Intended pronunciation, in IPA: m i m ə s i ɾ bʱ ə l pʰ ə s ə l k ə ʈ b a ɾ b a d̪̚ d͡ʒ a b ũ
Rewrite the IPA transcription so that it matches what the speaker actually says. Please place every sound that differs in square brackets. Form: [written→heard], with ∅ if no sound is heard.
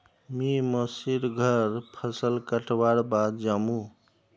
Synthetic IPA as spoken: m i m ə s i ɾ [bʱ→ɡʱ] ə [l→ɾ] pʰ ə s ə l k ə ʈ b a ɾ b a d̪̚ d͡ʒ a [b→m] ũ

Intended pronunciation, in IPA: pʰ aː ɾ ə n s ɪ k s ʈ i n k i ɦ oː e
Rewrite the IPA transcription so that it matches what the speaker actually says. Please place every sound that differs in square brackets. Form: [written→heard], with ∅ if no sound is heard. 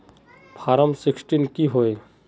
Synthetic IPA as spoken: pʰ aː ɾ ə [n→m] s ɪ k s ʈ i n k i ɦ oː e

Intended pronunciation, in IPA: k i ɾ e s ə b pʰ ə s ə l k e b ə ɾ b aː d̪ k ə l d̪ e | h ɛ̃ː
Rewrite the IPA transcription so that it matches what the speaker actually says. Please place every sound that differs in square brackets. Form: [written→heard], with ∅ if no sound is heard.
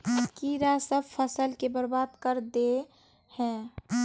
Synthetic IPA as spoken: k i ɾ [e→a] s ə b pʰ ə s ə l k e b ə ɾ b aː d̪ k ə [l→ɾ] d̪ e | h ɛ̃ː

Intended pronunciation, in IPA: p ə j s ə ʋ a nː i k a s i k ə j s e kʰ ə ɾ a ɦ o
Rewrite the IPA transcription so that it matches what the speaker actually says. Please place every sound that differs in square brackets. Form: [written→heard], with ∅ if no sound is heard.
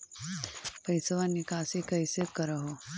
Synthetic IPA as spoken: p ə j s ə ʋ a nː i k a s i k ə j s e [kʰ→k] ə ɾ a ɦ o

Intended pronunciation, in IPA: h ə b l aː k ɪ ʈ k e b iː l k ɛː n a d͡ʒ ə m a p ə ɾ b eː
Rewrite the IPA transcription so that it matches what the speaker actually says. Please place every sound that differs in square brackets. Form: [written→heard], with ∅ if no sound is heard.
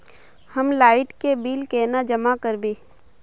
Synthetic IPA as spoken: h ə [b→m] l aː [k→∅] ɪ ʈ k e b iː l k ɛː n a d͡ʒ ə m a [p→k] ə ɾ b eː

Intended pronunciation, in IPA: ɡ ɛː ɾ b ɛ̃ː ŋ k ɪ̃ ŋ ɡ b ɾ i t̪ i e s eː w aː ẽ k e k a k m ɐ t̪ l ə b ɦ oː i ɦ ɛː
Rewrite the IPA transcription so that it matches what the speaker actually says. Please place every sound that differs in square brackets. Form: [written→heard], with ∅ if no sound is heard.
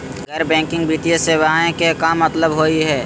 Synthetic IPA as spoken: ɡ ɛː ɾ b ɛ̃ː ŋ k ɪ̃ ŋ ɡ b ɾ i t̪ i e s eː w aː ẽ k e k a [k→∅] m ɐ t̪ l ə b ɦ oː i ɦ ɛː

